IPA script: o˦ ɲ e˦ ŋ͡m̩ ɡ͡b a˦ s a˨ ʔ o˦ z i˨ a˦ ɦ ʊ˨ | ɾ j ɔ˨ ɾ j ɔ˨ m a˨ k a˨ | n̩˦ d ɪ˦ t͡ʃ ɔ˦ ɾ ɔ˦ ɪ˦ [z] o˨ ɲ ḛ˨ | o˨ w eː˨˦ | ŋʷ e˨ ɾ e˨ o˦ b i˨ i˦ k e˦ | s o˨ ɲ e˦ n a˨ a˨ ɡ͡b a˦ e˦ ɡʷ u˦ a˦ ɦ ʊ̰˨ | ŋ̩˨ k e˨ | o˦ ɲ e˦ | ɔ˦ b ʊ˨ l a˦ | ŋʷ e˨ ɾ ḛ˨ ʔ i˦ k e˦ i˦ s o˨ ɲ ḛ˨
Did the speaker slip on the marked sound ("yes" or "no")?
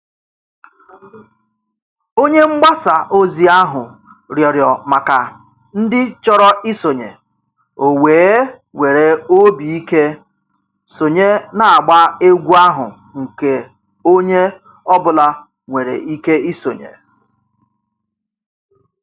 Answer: yes